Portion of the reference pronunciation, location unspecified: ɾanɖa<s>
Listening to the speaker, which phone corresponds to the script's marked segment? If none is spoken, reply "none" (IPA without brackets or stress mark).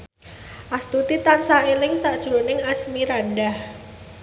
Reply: h